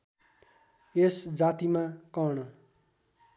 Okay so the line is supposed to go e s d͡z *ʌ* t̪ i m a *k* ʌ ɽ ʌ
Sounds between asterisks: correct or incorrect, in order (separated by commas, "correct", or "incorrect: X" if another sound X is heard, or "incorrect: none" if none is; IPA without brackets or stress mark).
incorrect: a, correct